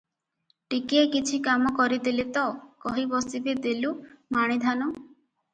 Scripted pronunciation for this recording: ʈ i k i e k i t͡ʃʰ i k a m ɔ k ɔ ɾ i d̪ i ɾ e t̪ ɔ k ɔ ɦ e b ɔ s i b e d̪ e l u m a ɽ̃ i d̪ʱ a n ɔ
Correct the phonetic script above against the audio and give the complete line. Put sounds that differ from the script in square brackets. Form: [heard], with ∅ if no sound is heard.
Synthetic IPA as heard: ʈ i k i e k i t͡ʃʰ i k a m ɔ k ɔ ɾ i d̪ i [l] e t̪ ɔ k ɔ ɦ [i] b ɔ s i b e d̪ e l u m a ɽ̃ i d̪ʱ a n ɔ

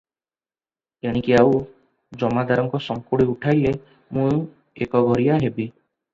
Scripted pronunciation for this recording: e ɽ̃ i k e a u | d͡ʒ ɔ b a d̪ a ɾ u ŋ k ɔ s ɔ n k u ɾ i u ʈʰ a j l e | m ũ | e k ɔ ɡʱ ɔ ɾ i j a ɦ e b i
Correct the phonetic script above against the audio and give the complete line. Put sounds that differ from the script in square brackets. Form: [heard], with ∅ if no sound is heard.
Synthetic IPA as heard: e ɽ̃ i k [i] a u | d͡ʒ ɔ [m] a d̪ a ɾ [ɔ] ŋ k ɔ s ɔ [ŋ] k u [ɽ] i u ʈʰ a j l e | m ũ | e k ɔ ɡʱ ɔ ɾ i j a ɦ e b i

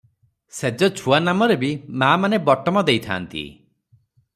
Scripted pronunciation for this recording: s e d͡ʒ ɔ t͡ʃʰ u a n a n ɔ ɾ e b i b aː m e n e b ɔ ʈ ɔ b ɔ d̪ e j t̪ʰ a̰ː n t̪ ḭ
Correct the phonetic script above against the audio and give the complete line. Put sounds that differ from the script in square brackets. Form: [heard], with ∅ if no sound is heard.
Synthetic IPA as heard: s e d͡ʒ ɔ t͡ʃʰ u a n a [m] ɔ ɾ e b i [m] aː m [a] n e b ɔ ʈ ɔ [m] ɔ d̪ e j t̪ʰ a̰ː n t̪ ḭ

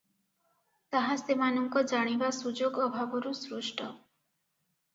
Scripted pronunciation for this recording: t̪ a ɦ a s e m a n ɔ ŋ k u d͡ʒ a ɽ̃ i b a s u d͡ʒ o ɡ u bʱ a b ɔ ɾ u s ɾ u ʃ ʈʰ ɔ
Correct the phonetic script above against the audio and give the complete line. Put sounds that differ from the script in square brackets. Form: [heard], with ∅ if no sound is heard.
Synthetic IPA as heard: t̪ a ɦ a s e m a n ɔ ŋ k [ɔ] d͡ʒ a ɽ̃ i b a s u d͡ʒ o ɡ [ɔ] bʱ a b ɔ ɾ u s ɾ u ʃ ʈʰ ɔ

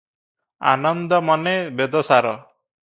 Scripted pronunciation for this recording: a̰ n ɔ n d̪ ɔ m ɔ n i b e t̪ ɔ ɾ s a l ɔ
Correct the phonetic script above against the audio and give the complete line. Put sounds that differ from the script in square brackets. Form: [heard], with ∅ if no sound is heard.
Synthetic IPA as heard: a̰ n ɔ n d̪ ɔ m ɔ n [e] b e [d̪] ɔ [∅] s a [ɾ] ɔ

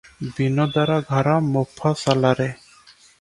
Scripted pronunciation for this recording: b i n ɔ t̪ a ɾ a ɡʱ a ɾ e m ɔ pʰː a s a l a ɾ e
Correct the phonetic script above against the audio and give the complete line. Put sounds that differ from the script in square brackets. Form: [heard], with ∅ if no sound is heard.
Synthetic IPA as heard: b i n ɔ [d̪] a ɾ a ɡʱ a ɾ [a] m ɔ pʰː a s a l a ɾ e

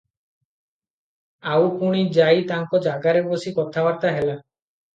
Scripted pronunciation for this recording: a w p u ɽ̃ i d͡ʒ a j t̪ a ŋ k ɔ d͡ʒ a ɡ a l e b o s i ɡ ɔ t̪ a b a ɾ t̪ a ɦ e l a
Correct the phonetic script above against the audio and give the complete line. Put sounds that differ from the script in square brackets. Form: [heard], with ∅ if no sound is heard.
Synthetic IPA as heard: a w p u ɽ̃ i d͡ʒ a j t̪ a ŋ k ɔ d͡ʒ a ɡ a [ɾ] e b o s i [k] ɔ [t̪ʰ] a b a ɾ t̪ a ɦ e l a

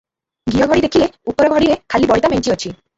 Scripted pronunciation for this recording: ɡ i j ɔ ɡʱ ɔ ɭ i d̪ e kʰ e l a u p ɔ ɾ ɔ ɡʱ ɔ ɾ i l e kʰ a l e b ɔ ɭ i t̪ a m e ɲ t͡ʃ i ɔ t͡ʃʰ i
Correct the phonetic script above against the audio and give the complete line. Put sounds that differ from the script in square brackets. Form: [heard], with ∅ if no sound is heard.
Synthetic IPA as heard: ɡ i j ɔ ɡʱ ɔ [ɽ] i d̪ e kʰ [i] l [e] u p ɔ ɾ ɔ ɡʱ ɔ [ɽ] i [ɾ] e kʰ a l [i] b ɔ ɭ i t̪ a m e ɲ t͡ʃ i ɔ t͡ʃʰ i

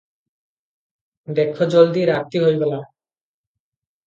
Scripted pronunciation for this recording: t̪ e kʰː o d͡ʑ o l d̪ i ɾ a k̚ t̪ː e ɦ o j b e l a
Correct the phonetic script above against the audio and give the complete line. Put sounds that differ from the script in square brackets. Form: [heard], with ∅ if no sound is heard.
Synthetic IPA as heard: [d̪] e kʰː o d͡ʑ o l d̪ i ɾ a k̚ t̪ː [i] ɦ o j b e l a

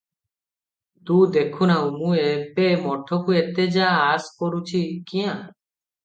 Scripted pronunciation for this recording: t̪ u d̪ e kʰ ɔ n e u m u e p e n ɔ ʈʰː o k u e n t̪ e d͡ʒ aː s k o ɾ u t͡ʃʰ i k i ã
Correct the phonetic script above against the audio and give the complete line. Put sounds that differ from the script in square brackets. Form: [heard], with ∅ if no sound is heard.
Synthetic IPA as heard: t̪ u d̪ e kʰ [u] n [a] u m u e p e [m] ɔ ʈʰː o k u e [∅] t̪ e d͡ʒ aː s k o ɾ u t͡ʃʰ i k i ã

